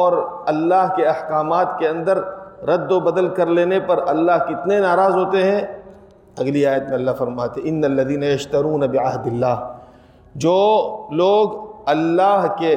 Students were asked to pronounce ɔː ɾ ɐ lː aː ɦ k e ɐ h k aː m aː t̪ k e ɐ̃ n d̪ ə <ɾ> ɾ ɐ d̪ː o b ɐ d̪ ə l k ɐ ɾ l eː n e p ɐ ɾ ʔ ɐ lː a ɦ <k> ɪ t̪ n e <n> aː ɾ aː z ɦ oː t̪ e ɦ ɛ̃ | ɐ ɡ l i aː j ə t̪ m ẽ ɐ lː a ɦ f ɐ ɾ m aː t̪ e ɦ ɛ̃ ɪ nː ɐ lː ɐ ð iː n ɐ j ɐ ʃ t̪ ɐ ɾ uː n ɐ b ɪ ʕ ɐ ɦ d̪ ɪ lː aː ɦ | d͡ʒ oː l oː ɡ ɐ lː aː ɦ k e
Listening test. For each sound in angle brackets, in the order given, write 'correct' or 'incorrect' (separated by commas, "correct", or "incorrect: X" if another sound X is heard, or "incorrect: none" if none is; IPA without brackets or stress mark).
correct, correct, correct